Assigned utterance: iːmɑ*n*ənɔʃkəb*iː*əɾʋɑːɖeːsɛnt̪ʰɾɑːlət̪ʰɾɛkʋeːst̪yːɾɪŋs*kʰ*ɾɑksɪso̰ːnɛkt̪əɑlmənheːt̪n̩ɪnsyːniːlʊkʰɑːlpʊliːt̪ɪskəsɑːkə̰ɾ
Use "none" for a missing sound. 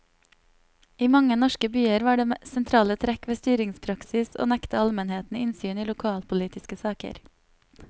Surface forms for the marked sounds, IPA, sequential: ŋ, yː, pʰ

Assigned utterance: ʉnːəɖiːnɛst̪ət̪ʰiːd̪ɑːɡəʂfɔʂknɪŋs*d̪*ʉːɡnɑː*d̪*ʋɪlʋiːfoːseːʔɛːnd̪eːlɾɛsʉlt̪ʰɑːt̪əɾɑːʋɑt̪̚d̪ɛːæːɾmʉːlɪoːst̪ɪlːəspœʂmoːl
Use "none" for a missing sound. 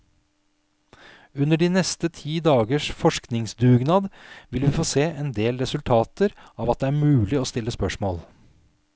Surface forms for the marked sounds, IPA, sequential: d̪, d̪

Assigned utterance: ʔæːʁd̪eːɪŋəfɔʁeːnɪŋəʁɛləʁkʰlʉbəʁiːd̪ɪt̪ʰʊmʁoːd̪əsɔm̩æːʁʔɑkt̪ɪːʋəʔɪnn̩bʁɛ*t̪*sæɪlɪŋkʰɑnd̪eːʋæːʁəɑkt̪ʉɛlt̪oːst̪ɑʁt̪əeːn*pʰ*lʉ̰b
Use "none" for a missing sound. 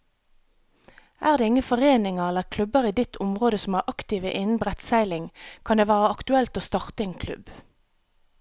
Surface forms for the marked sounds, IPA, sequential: t̪, kʰ

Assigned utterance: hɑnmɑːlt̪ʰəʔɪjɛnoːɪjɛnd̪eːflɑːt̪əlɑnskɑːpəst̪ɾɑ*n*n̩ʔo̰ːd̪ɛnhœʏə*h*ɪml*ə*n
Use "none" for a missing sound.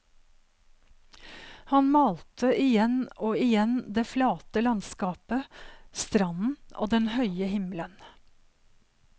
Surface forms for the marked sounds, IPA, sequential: n, h, ə

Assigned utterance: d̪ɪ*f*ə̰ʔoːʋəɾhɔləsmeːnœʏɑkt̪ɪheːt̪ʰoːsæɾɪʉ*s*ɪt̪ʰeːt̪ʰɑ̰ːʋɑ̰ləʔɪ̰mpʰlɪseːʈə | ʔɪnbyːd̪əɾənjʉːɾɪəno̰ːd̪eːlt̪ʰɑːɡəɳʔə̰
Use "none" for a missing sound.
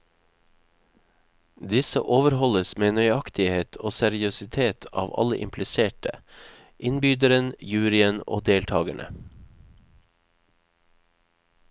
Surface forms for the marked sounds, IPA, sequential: s, s

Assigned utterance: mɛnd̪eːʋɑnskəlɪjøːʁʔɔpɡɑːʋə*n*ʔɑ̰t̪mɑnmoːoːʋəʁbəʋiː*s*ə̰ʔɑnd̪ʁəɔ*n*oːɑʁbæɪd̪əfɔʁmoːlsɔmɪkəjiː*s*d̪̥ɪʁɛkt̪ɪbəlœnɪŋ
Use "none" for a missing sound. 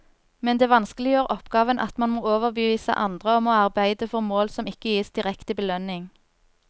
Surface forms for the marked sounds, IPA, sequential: n, s, m, s

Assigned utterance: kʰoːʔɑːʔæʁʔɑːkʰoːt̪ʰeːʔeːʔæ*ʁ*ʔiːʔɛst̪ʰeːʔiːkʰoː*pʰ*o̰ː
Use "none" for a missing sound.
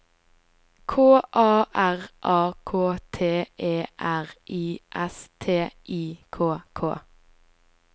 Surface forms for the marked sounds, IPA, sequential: ʁ, kʰ

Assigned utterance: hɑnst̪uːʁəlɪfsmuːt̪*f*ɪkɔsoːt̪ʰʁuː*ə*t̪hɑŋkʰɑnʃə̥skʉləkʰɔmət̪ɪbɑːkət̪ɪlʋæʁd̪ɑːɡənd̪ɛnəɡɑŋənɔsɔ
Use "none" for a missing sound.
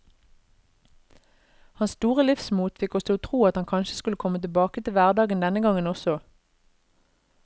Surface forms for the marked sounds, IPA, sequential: f, ɑ

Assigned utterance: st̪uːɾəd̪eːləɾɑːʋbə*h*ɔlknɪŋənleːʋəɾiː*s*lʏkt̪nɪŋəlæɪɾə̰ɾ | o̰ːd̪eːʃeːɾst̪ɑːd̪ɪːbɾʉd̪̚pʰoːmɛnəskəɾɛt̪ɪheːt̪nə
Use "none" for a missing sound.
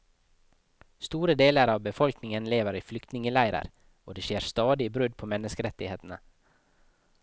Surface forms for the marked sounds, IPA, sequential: f, f

